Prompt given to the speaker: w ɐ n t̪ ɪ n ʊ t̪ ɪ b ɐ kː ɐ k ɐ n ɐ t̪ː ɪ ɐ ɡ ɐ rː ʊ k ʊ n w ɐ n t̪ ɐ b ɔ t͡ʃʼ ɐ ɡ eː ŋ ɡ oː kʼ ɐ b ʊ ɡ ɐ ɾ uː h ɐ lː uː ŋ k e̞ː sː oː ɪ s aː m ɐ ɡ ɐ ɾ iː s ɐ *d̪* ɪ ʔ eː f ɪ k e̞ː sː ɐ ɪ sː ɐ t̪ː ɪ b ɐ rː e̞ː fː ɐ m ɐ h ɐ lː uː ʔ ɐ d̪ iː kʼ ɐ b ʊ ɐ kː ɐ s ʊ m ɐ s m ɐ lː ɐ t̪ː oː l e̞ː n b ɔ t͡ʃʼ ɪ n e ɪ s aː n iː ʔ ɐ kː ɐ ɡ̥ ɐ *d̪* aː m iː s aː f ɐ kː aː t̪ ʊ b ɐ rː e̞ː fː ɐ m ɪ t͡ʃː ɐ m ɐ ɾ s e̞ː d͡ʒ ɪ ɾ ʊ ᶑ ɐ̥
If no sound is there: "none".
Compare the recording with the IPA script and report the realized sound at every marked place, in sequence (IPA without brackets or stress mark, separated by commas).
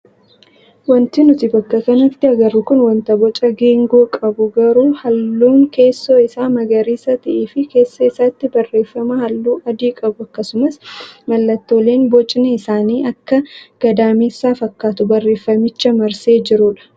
t̪, d̪